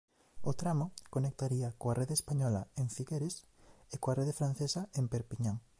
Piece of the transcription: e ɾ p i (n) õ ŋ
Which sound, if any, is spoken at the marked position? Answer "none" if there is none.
ɲ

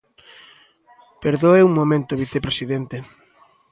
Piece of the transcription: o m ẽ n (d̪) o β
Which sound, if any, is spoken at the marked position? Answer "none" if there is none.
t̪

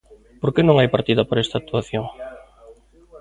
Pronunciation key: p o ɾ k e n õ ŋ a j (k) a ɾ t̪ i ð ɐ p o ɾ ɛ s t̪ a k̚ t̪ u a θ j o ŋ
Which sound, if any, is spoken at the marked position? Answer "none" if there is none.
p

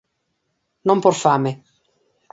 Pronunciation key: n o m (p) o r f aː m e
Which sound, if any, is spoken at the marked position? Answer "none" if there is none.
p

